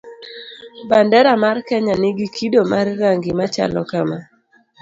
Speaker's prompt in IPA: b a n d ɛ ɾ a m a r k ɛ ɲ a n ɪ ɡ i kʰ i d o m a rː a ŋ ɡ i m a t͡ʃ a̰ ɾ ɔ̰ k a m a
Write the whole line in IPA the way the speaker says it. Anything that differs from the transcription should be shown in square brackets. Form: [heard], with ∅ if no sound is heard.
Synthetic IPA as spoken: b a n d ɛ ɾ a m a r k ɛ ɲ a n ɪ ɡ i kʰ i d o m a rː a ŋ ɡ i m a t͡ʃ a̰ [l] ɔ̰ k a m a